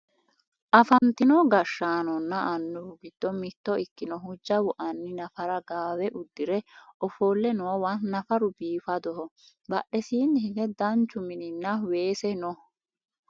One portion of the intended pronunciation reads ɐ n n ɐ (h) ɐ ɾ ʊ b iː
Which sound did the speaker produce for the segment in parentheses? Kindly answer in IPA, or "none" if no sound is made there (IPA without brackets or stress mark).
f